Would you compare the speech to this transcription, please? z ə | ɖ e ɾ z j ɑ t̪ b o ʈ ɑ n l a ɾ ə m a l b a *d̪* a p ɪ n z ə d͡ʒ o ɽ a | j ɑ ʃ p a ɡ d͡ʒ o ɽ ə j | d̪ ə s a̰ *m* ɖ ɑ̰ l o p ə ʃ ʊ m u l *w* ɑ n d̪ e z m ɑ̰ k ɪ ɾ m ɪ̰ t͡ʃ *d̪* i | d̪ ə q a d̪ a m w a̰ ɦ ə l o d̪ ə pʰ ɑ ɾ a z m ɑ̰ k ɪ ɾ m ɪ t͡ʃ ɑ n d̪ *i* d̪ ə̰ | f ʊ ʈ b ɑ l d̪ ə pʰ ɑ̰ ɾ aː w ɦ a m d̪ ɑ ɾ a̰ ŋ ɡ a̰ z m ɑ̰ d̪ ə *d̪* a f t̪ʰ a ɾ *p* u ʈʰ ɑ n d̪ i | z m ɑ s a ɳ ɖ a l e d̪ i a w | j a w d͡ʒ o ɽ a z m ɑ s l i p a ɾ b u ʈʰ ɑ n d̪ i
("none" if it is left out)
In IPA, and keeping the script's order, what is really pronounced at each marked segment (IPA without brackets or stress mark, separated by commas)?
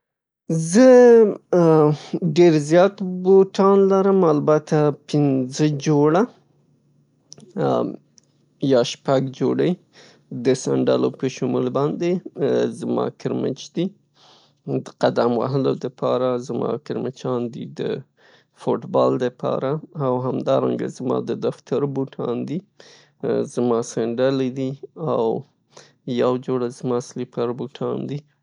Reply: t̪, ɳ, b, d̪, i, d̪, b